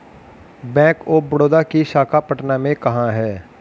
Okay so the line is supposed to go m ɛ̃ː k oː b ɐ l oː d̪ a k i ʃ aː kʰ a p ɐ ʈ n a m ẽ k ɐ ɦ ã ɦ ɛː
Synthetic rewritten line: b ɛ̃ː k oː b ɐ ɽ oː d̪ a k i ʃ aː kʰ a p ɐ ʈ n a m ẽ k ɐ ɦ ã ɦ ɛː

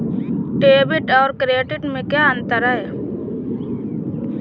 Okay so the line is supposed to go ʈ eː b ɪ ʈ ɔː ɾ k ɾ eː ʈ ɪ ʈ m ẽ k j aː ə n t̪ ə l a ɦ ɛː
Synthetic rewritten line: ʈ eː b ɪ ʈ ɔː ɾ k ɾ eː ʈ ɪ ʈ m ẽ k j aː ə n t̪ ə ɾ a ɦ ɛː

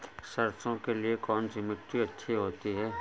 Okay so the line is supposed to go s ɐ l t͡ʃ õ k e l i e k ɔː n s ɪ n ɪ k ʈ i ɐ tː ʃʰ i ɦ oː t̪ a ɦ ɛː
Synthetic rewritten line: s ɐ ɾ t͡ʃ õ k e l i e k ɔː n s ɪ m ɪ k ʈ i ɐ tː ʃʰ i ɦ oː t̪ i ɦ ɛː

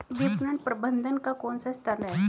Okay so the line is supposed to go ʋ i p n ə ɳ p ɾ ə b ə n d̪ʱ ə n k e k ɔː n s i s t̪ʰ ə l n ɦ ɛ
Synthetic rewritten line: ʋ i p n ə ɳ p ɾ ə b ə n d̪ʱ ə n k a k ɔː n s a s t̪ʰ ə ɾ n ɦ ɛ

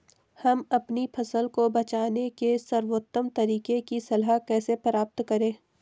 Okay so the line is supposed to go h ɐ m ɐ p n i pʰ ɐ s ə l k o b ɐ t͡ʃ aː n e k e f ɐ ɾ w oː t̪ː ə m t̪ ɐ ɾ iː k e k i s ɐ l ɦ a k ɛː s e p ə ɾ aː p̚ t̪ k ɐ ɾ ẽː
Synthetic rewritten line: h ɐ m ɐ p n i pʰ ɐ s ə l k o b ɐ t͡ʃ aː n e k e s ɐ ɾ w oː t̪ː ə m t̪ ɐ ɾ iː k e k i s ɐ l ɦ a k ɛː s e p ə ɾ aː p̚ t̪ k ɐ ɾ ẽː

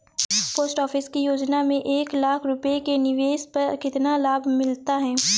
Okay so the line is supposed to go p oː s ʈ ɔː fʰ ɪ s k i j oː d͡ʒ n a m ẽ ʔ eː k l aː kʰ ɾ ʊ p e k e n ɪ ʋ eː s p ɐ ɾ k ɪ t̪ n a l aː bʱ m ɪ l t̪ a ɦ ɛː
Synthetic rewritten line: p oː s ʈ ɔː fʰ ɪ s k i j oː d͡ʒ n a m ẽ ʔ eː k l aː kʰ ɾ ʊ p e k e n ɪ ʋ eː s p ɐ ɾ k ɪ t̪ n a l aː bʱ m ɪ l t̪ a ɦ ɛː

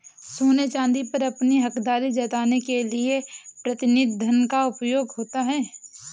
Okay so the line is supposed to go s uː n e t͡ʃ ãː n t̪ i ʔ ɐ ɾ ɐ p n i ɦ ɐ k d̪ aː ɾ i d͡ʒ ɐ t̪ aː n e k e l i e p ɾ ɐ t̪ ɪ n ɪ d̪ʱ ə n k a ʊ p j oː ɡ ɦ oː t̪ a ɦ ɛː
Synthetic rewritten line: s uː n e t͡ʃ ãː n d̪ i p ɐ ɾ ɐ p n i ɦ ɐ k d̪ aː ɾ i d͡ʒ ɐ t̪ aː n e k e l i e p ɾ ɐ t̪ ɪ n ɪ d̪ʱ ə n k a ʊ p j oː ɡ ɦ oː t̪ a ɦ ɛː

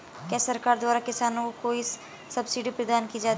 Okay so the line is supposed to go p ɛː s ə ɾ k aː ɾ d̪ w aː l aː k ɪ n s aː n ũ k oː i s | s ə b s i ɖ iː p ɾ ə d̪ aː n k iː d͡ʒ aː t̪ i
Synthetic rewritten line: k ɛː s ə ɾ k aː ɾ d̪ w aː ɾ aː k ɪ s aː n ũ k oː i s | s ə b s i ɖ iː p ɾ ə d̪ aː n k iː d͡ʒ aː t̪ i

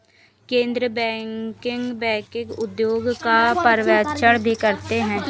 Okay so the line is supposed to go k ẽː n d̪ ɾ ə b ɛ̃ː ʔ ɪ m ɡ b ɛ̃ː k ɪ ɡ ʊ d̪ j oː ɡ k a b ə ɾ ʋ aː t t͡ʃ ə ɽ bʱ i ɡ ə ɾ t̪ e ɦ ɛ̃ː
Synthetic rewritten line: k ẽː n d̪ ɾ ə b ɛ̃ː k ɪ ŋ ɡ b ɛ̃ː k ɪ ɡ ʊ d̪ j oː ɡ k a p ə ɾ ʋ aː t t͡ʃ ə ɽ bʱ i k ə ɾ t̪ e ɦ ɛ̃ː

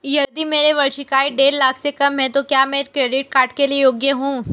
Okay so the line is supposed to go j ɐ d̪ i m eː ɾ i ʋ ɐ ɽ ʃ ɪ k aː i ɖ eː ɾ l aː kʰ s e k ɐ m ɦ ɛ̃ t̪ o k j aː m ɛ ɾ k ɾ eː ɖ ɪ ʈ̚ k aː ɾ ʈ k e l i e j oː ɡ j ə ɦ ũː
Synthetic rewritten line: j ɐ d̪ i m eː ɾ e ʋ ɐ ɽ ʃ ɪ k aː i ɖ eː ɾ l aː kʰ s e k ɐ m ɦ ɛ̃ t̪ o k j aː m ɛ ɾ k ɾ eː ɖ ɪ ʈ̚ k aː ɾ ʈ k e l i e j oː ɡ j ə ɦ ũː

